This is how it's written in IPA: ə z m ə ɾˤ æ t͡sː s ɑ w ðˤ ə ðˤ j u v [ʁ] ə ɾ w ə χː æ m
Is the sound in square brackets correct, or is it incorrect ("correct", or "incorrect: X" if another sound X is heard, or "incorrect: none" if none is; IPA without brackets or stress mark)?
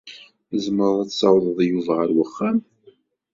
correct